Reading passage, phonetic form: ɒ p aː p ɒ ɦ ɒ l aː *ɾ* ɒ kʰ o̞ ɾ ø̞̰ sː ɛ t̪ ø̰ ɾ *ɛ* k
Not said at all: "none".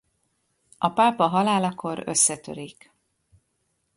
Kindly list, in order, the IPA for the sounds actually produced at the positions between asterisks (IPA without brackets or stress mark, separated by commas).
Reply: l, i